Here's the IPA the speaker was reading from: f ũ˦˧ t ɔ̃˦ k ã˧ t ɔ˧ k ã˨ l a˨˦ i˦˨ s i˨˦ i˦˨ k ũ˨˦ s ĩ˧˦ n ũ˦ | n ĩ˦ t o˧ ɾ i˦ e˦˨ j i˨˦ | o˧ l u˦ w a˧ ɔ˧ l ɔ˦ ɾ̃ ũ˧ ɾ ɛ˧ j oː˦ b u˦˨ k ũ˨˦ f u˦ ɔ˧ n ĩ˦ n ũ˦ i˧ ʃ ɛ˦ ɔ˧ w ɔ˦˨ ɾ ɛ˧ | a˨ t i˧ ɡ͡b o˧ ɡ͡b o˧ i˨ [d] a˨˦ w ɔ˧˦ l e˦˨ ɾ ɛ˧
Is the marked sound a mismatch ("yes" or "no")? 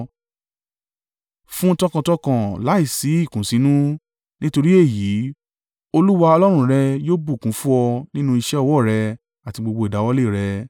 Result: no